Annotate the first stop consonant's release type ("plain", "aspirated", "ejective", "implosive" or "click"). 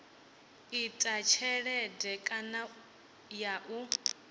ejective